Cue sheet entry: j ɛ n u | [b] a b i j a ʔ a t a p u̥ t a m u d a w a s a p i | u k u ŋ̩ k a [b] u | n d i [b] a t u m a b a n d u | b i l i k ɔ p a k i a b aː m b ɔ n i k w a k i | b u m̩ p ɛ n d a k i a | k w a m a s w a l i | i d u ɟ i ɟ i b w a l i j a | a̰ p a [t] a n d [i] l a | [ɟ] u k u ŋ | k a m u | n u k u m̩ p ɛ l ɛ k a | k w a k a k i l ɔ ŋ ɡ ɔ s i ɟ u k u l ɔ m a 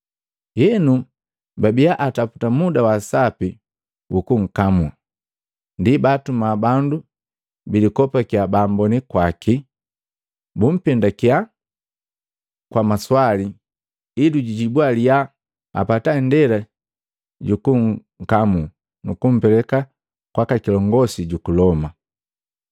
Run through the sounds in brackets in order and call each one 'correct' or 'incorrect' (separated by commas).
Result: correct, incorrect, correct, correct, incorrect, correct